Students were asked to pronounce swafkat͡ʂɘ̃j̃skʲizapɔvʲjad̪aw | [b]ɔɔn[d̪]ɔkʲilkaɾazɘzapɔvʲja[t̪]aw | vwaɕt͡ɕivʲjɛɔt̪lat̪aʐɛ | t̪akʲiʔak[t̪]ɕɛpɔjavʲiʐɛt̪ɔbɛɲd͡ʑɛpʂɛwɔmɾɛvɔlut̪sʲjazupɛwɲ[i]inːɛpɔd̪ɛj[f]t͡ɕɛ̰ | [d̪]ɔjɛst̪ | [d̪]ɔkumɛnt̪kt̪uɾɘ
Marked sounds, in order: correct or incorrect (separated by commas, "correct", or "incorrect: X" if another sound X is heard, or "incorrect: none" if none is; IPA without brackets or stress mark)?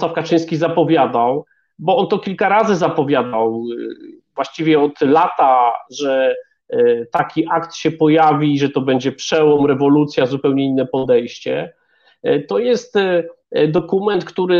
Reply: correct, incorrect: t̪, incorrect: d̪, correct, incorrect: ɛ, incorrect: ɕ, incorrect: t̪, correct